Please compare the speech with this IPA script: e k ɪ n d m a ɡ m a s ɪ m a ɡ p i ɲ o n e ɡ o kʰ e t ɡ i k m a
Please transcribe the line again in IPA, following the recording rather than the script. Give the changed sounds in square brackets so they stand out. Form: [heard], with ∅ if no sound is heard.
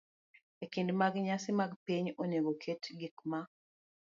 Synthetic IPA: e k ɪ n d m a ɡ [ɲ] a s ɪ m a ɡ p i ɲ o n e ɡ o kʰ e t ɡ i k m a